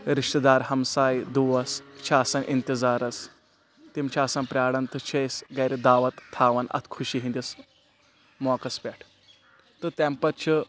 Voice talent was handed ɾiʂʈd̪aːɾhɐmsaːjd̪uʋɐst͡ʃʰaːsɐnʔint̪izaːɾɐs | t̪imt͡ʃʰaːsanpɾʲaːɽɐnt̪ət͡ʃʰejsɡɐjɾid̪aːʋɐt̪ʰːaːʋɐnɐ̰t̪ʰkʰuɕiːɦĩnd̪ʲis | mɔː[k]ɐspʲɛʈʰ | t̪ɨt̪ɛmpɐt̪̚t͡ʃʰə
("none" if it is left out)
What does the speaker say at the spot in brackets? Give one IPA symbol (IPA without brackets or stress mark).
k